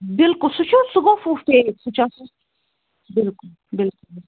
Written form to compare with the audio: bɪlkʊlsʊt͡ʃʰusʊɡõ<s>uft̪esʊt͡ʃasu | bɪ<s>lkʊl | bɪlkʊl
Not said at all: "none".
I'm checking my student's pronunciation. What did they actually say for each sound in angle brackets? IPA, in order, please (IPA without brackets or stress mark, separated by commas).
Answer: f, none